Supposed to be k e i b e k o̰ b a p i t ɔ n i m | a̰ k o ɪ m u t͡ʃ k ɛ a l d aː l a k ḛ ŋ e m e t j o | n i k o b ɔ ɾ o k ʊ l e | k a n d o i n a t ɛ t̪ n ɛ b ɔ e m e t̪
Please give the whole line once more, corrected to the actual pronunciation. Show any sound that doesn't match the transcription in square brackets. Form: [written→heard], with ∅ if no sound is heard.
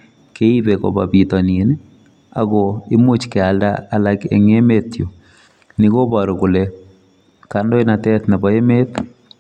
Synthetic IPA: k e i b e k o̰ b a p i t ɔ n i [m→n] | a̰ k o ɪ m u t͡ʃ k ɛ a l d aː l a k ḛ ŋ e m e t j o | n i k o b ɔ ɾ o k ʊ l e | k a n d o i n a t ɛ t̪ n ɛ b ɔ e m e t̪